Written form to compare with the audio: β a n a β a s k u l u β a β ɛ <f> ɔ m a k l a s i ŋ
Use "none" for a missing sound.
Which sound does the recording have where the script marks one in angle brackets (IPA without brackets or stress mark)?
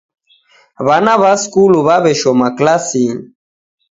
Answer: ʃ